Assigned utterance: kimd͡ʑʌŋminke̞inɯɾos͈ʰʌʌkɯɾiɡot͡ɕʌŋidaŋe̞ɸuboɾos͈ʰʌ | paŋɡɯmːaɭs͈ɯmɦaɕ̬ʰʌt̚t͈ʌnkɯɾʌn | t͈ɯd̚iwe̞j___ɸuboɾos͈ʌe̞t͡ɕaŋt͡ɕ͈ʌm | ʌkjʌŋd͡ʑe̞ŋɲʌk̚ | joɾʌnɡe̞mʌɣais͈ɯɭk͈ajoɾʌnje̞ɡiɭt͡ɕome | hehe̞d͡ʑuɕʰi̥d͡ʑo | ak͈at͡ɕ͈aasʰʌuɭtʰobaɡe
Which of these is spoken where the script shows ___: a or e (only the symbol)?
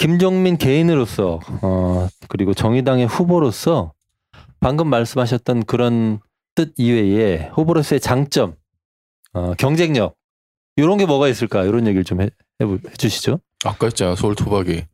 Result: e